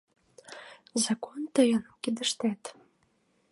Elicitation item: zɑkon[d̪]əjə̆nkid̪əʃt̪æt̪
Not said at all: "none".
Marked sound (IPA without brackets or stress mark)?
t̪